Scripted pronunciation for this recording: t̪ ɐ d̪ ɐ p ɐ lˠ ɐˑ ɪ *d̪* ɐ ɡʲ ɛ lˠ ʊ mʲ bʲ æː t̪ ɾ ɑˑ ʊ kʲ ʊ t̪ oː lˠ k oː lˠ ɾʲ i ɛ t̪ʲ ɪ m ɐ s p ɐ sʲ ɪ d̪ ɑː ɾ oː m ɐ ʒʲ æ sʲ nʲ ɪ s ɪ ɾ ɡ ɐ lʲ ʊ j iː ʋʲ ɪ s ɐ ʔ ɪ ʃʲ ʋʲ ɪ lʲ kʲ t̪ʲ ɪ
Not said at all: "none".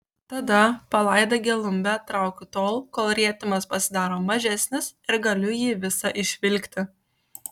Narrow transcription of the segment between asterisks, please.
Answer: d̪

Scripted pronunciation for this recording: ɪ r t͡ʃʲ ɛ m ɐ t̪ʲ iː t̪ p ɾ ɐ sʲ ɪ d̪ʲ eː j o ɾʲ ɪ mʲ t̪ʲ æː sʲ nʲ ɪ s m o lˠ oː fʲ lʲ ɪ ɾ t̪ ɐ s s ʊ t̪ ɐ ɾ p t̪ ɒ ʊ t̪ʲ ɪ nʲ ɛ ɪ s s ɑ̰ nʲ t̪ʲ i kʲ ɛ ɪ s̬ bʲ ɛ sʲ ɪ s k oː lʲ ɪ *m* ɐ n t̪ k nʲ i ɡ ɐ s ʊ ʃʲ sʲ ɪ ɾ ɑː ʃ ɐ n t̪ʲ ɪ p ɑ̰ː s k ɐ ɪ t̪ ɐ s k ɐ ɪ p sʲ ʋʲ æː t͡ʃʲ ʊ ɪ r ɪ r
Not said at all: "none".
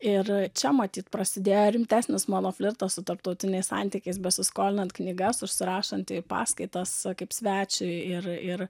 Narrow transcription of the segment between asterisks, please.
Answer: n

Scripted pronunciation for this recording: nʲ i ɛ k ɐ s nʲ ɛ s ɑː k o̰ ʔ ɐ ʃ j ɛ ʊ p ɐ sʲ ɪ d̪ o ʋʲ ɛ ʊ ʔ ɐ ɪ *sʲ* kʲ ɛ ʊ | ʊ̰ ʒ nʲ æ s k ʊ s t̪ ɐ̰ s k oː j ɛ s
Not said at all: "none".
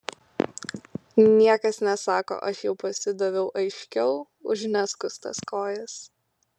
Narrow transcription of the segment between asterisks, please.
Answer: ʃʲ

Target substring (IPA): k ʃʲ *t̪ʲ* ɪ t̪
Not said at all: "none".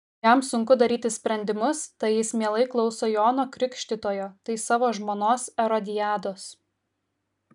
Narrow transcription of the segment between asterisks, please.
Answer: t̪ʲ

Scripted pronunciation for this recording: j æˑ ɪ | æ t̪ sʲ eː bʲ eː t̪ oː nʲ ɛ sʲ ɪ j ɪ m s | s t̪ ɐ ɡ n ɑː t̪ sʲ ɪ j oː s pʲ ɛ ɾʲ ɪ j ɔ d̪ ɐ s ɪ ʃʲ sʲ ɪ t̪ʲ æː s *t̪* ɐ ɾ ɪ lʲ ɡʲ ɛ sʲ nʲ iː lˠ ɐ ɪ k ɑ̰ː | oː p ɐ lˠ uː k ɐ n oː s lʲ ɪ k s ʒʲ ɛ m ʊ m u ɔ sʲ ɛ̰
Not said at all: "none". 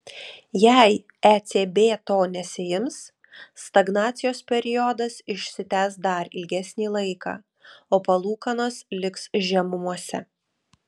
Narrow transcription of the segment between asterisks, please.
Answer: d̪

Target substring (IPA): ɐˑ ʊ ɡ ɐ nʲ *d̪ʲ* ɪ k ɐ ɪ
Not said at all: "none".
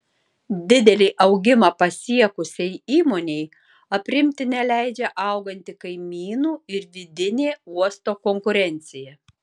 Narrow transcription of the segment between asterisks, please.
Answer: t̪ʲ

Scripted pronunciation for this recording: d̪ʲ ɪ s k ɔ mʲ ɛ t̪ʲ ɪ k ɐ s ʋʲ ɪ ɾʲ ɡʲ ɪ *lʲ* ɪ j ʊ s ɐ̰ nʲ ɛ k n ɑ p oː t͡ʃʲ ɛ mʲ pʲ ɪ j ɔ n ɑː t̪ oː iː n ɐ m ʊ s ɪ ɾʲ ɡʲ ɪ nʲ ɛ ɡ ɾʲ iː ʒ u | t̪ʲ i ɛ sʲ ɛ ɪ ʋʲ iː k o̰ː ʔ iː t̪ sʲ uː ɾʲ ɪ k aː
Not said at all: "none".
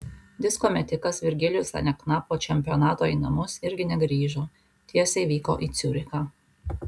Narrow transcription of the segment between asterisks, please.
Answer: lʲ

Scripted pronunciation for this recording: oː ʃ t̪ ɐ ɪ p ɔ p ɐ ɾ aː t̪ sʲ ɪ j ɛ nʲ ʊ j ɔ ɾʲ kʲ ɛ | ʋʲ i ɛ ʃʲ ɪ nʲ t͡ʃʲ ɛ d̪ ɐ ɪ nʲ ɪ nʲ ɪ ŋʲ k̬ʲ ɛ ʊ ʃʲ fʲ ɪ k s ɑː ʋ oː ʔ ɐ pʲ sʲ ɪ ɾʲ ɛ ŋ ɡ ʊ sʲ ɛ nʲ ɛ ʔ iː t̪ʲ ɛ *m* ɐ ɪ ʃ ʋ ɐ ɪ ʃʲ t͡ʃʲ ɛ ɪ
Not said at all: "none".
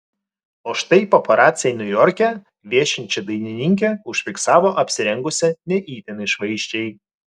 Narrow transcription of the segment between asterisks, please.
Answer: n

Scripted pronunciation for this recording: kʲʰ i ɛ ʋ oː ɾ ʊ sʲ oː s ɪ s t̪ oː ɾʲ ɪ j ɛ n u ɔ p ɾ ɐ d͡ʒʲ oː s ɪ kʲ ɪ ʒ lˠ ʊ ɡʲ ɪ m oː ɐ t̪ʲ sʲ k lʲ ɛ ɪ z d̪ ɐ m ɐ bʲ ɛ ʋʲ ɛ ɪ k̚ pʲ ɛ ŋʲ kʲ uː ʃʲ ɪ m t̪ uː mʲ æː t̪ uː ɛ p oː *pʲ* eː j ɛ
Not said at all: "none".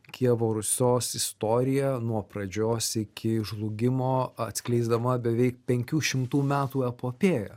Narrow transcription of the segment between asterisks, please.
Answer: pʲ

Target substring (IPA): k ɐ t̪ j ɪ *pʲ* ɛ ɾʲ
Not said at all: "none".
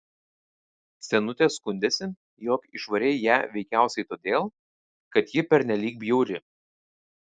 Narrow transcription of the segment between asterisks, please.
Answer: pʲ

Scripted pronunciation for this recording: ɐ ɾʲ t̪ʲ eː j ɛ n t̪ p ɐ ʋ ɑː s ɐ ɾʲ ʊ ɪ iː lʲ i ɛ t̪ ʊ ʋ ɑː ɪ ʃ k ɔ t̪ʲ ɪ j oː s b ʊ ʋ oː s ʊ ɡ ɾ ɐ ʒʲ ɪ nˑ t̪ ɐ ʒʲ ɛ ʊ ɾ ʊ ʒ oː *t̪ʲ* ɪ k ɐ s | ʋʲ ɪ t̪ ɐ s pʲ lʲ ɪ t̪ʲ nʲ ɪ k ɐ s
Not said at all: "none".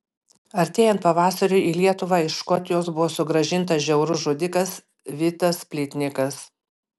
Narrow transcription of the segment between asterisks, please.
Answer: d̪ʲ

